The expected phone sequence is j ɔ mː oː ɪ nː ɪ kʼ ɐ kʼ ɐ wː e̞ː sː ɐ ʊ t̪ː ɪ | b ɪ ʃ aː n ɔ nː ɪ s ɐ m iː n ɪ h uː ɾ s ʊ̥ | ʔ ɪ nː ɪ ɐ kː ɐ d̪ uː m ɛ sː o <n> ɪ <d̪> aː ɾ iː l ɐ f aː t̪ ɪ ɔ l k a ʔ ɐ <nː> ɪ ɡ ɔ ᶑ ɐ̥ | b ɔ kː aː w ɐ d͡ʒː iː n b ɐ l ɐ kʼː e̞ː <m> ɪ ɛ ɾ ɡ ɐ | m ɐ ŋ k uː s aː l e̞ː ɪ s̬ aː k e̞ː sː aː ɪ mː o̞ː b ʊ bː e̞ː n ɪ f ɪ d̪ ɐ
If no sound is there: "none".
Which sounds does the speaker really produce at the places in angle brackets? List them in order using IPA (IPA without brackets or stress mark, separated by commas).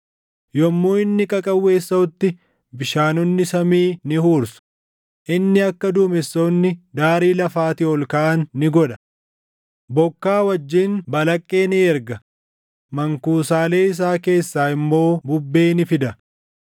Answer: nː, d̪, nː, n